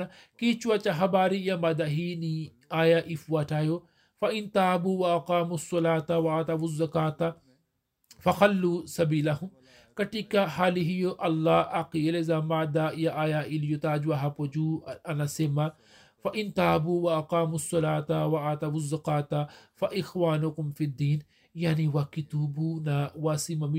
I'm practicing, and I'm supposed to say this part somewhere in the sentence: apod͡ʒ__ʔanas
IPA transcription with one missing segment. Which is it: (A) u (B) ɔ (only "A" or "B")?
A